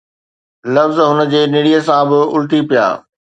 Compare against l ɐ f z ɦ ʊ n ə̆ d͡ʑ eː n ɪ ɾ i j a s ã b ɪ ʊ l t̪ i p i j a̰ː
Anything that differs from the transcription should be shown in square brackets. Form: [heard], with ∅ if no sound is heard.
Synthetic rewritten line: l ɐ f z ɦ ʊ n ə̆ d͡ʑ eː n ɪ [ɽ] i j [ə] s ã b ɪ ʊ l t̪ i p i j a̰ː